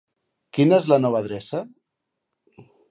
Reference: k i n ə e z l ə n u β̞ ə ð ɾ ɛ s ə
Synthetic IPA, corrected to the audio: k i n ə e z l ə n ɔ β̞ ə ð ɾ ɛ s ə